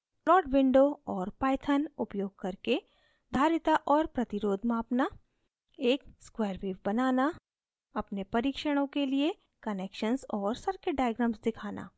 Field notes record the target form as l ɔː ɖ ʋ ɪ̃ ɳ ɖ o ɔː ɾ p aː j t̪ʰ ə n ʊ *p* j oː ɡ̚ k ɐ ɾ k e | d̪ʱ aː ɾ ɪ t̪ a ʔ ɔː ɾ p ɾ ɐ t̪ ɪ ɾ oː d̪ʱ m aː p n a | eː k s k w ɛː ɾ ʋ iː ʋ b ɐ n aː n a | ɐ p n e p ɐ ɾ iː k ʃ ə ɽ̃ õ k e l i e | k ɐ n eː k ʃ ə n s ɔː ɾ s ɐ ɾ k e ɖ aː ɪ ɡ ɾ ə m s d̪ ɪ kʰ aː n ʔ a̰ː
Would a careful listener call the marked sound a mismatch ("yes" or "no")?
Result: no